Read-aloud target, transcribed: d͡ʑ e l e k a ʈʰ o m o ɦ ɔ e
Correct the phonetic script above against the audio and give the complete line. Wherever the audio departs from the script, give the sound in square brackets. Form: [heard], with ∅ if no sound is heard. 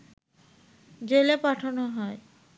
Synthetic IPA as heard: d͡ʑ e l e [p] a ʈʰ o [n] o ɦ ɔ e